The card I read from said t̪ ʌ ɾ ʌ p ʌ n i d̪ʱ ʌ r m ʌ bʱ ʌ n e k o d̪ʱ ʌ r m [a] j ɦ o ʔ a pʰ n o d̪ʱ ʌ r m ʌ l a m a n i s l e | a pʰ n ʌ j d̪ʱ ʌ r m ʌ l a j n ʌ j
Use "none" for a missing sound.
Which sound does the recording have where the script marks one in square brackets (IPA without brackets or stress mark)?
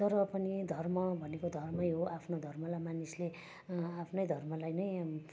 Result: ʌ